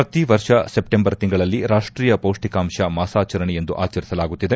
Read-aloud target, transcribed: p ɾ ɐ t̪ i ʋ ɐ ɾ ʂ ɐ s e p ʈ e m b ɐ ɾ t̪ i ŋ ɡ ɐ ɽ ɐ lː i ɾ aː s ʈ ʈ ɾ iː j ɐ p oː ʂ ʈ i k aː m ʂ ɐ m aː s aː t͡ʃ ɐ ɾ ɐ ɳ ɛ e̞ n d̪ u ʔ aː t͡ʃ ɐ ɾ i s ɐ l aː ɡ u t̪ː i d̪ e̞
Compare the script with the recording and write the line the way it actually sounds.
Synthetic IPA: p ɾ ɐ t̪ i ʋ ɐ ɾ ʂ ɐ s e p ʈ e m b ɐ ɾ t̪ i ŋ ɡ ɐ ɭ ɐ lː i ɾ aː ʂ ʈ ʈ ɾ iː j ɐ p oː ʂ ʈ i k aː m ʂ ɐ m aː s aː t͡ʃ ɐ ɾ ɐ ɳ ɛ e̞ n d̪ u ʔ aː t͡ʃ ɐ ɾ i s ɐ l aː ɡ u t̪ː i d̪ e̞